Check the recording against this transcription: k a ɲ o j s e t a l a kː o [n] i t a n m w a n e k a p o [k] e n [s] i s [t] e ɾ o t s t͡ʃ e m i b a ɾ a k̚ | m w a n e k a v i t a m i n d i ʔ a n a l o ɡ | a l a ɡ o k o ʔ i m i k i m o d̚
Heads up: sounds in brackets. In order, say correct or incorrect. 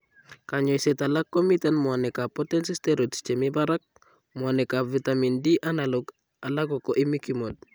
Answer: incorrect, incorrect, correct, correct

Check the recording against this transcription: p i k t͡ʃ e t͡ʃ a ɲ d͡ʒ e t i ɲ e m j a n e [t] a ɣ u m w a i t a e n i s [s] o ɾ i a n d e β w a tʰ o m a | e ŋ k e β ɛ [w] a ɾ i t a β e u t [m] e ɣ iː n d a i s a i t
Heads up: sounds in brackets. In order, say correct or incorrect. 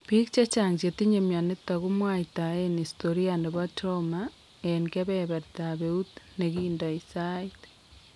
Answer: correct, incorrect, incorrect, incorrect

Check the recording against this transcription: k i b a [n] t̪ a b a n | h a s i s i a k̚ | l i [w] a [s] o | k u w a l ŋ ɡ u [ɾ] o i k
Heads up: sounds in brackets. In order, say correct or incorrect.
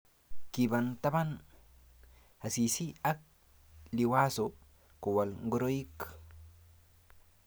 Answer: correct, correct, correct, correct

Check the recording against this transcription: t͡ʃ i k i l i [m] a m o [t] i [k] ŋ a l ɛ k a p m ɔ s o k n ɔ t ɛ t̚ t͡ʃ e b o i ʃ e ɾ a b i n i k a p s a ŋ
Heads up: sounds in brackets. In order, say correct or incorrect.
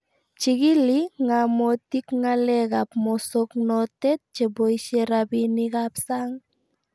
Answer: incorrect, correct, correct

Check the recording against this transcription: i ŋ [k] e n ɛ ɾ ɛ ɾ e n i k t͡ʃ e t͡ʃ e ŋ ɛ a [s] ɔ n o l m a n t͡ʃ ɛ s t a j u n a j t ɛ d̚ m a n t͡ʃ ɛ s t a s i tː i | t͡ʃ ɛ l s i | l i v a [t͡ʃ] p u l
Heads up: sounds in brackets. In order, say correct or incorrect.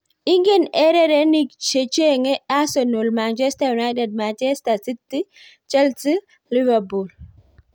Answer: incorrect, correct, incorrect

